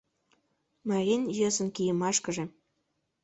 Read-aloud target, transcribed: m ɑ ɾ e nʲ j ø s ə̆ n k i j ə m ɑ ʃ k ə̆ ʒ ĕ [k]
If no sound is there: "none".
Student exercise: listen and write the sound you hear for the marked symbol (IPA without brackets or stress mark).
none